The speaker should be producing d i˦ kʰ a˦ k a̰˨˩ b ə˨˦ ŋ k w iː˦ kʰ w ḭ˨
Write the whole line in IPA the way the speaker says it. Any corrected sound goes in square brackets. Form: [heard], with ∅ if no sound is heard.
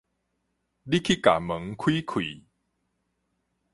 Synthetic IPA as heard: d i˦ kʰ [i˦] k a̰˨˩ [m] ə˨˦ ŋ [kʰ] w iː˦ kʰ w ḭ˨

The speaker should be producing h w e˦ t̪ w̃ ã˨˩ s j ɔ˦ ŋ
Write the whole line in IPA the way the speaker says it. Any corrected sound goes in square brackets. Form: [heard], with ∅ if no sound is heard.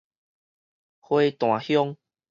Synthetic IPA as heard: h w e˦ t̪ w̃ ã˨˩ [h] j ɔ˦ ŋ

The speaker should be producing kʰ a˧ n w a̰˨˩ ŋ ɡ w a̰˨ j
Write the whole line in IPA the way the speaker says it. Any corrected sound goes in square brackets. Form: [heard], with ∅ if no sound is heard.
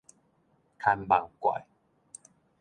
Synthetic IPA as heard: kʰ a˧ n [b] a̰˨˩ ŋ [k] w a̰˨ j

